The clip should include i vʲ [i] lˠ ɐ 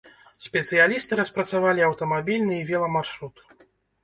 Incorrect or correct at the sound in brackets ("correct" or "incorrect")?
incorrect